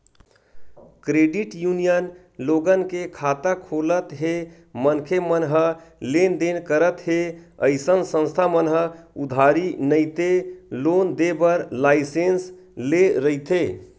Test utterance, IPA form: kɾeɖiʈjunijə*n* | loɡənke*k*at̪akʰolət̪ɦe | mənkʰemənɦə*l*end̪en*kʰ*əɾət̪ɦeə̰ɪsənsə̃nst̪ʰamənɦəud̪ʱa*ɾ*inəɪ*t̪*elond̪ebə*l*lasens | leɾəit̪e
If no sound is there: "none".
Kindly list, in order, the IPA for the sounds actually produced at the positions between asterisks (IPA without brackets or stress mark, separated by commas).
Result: n, kʰ, l, k, ɾ, t̪, ɾ